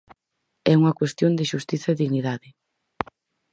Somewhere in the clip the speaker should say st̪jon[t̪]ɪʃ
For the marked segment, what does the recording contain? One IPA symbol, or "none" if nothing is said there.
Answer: d̪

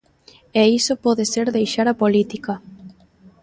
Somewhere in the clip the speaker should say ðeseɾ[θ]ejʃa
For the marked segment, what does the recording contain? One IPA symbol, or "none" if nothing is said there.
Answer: ð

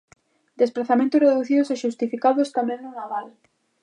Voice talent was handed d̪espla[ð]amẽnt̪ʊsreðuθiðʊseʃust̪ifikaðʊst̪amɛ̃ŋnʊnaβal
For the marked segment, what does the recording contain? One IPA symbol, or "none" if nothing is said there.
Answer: θ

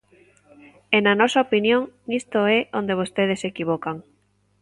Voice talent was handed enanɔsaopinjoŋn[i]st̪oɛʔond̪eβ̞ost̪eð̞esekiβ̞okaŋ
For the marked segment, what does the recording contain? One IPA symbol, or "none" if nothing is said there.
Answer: i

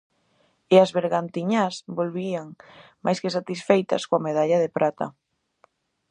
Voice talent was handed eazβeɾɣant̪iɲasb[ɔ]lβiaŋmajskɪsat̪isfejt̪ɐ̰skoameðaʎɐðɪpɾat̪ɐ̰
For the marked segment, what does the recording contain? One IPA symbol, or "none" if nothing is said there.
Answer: o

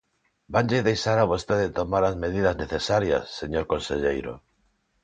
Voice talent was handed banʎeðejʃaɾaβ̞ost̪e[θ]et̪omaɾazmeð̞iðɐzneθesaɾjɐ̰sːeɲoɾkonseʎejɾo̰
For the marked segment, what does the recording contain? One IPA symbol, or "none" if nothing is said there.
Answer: ð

